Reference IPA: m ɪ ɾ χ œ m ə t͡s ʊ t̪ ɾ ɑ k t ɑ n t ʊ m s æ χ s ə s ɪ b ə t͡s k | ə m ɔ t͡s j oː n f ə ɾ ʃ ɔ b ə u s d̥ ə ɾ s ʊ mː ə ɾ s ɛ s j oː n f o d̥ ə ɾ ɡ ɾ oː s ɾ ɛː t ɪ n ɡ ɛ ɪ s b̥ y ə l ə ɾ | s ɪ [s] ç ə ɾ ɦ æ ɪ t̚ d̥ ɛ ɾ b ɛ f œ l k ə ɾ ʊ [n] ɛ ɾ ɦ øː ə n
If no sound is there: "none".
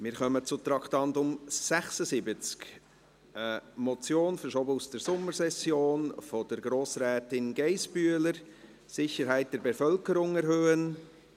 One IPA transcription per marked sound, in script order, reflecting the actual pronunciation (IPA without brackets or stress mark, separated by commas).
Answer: none, ŋ